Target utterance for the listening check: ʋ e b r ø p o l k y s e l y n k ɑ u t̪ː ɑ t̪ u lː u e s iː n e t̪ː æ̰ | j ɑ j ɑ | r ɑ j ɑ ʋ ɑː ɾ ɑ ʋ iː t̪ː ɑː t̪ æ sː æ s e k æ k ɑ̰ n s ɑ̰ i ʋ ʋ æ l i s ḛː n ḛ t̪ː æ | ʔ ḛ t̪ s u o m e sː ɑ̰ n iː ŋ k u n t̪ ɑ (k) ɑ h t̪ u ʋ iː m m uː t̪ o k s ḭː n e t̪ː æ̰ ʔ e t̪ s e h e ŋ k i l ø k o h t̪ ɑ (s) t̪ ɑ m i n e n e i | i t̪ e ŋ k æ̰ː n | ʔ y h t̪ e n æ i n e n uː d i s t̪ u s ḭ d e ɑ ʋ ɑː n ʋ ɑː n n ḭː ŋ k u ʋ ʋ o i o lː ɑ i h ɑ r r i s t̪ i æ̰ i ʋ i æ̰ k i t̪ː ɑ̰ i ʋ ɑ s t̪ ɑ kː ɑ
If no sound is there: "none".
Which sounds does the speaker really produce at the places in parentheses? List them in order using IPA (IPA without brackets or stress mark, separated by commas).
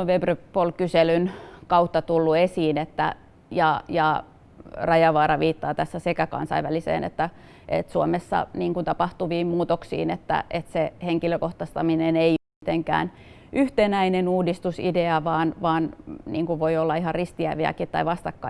p, s